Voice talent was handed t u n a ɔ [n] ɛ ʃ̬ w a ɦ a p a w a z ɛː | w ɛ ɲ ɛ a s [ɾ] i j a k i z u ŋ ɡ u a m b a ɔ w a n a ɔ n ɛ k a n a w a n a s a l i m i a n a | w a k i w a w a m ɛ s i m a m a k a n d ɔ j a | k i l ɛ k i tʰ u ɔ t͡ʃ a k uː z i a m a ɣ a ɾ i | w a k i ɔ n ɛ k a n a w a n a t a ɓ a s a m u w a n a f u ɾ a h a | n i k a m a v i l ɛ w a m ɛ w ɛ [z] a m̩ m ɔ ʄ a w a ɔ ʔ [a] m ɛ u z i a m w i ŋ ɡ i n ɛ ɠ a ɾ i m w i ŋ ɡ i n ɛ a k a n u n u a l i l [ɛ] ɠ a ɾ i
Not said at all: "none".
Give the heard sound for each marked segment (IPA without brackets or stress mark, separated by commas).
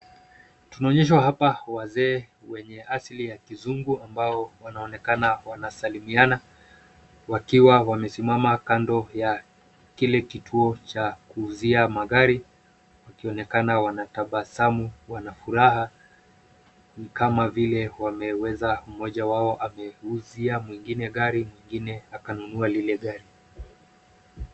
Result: ɲ, l, z, a, ɛ